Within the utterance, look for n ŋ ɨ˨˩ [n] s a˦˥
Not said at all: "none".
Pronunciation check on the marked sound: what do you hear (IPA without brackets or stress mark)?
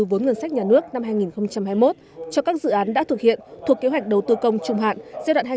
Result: n